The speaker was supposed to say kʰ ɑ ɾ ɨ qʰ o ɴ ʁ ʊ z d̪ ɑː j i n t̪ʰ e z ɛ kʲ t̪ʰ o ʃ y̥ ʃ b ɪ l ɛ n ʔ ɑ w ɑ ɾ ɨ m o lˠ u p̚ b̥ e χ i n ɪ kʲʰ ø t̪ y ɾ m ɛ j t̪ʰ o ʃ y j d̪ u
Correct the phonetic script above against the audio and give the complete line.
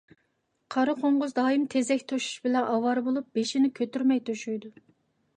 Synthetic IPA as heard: qʰ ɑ ɾ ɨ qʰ o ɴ ʁ ʊ z d̪ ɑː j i m t̪ʰ e z ɛ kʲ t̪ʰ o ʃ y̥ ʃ b ɪ l ɛ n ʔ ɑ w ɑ ɾ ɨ b o lˠ u p̚ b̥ e ʃ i n ɪ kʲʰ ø t̪ y ɾ m ɛ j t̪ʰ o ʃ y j d̪ u